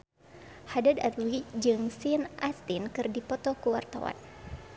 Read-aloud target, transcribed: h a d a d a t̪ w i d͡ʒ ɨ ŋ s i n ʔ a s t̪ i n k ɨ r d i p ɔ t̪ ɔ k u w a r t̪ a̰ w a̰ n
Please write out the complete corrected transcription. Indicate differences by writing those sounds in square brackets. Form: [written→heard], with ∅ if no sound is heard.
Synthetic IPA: h a d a d a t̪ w i d͡ʒ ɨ ŋ s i n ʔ a s t̪ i n k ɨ r d i p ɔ t̪ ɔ k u w a r t̪ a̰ w a̰ n